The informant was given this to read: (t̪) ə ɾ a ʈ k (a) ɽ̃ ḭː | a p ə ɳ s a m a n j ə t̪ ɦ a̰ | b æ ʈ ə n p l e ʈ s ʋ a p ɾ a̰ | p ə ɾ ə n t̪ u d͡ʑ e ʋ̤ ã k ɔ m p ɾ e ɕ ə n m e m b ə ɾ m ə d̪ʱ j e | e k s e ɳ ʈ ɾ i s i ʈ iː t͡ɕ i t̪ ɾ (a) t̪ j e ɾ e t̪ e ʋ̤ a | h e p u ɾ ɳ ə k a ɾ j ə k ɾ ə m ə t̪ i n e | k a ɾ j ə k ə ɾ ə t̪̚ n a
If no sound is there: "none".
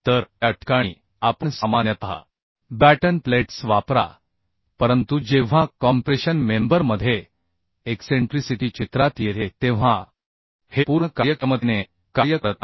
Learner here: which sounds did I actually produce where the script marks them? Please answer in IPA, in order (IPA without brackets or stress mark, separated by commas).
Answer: t̪, a, a